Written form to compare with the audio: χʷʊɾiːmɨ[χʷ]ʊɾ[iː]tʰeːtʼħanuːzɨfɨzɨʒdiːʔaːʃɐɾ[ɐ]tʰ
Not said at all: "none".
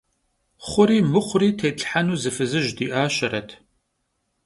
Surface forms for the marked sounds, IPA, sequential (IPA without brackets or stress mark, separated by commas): χʷ, iː, ɐ